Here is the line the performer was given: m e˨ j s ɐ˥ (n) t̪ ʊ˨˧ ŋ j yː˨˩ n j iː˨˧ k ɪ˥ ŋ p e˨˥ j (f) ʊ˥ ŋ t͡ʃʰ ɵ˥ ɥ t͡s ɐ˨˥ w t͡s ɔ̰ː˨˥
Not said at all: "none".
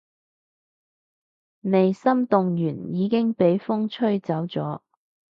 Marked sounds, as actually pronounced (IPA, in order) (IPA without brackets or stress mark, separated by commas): m, f